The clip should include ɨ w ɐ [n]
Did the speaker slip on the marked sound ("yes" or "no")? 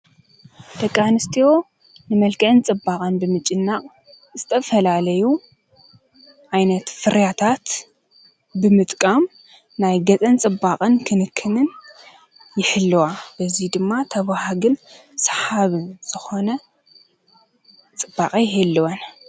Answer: no